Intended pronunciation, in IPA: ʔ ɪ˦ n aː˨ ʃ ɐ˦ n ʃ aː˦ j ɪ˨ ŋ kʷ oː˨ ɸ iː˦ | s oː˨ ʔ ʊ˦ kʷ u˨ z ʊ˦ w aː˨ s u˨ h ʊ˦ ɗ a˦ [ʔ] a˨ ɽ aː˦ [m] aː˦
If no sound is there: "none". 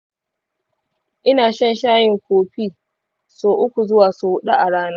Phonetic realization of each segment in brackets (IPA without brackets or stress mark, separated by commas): ʔ, n